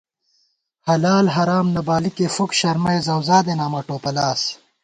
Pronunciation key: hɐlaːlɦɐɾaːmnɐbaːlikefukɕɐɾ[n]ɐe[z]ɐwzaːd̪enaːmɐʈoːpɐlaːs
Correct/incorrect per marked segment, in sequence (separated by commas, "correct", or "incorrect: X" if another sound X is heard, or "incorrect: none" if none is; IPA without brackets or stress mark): incorrect: m, correct